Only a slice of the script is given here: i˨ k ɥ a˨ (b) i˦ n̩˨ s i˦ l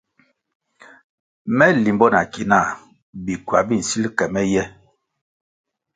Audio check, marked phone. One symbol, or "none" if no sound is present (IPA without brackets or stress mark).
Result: b